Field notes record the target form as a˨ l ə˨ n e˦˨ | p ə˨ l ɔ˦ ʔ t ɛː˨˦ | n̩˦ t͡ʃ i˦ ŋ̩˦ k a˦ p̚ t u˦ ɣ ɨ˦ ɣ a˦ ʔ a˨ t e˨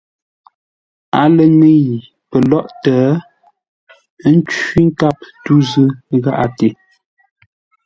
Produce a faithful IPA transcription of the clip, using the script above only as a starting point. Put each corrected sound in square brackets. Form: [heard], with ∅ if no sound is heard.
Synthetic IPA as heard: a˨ l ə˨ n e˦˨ | p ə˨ l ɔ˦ ʔ t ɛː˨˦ | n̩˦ t͡ʃ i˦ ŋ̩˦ k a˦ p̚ t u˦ [z] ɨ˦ ɣ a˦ ʔ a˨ t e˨

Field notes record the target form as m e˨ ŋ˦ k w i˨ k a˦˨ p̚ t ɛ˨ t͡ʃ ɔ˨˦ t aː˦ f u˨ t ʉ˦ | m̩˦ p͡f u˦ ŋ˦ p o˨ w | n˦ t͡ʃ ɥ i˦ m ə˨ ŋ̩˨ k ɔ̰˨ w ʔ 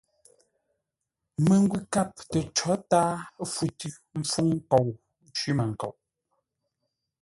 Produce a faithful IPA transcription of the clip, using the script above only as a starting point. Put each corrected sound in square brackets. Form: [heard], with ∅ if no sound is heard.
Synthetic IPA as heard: m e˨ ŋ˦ [ɡ] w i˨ k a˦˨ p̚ t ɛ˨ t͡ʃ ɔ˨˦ t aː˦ f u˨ t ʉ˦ | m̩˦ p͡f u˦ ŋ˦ [k] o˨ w | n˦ t͡ʃ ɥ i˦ m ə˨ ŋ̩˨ k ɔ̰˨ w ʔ

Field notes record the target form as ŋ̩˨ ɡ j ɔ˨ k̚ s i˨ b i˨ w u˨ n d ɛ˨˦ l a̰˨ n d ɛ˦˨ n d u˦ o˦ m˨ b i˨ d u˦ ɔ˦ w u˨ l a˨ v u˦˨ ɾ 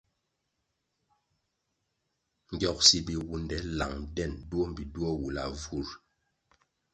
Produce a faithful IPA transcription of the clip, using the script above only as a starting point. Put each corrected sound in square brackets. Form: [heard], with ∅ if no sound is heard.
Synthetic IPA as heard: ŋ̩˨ ɡ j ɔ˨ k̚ s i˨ b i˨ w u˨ n d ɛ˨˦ l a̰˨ [ŋ] d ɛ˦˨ n d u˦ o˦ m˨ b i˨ d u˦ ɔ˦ w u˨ l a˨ v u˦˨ ɾ

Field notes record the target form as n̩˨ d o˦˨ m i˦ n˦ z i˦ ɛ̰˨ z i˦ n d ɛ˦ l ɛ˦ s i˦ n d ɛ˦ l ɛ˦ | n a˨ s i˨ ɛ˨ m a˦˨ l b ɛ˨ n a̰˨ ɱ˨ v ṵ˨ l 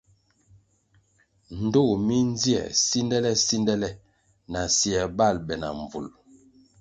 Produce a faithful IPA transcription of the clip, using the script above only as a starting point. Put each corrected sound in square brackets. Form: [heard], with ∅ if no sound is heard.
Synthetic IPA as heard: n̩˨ d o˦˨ m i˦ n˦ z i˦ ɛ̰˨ [s] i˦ n d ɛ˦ l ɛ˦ s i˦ n d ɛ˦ l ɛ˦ | n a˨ s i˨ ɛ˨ [b] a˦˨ l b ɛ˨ n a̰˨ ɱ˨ v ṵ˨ l

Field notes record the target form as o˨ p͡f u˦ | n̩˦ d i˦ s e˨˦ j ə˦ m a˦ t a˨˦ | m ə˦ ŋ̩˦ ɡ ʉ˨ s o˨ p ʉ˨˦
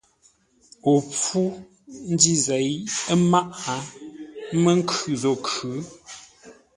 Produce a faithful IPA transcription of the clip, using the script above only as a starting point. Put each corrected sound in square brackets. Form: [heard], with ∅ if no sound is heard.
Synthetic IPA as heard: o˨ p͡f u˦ | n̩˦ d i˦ [z] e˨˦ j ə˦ m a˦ [ʔ] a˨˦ | m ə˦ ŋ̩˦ [k] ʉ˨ [z] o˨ [k] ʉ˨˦

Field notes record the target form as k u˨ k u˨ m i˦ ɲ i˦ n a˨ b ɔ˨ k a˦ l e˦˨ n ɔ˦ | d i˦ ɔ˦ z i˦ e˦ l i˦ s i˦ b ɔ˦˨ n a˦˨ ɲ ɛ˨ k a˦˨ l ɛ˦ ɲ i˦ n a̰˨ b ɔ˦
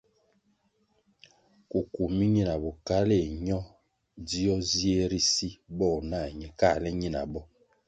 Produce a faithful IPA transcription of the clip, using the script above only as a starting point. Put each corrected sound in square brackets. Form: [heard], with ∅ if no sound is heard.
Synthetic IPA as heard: k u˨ k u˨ m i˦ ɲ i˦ n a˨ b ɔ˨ k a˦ l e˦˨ [ɲ] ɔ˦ | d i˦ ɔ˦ z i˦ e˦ [ɾ] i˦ s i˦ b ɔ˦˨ n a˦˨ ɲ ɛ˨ k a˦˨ l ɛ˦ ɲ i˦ n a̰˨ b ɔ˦

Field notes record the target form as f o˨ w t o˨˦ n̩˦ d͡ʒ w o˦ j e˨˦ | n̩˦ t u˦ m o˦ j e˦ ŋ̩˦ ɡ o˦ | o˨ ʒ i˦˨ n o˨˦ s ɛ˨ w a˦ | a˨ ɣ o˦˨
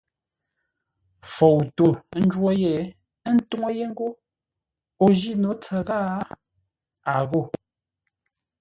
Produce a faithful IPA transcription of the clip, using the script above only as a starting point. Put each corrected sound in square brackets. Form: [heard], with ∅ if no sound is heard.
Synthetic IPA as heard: f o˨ w t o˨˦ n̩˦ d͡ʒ w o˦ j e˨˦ | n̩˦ t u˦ [ŋ] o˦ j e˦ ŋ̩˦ ɡ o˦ | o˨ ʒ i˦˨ n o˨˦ [t͡s] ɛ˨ [ɣ] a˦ | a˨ ɣ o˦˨

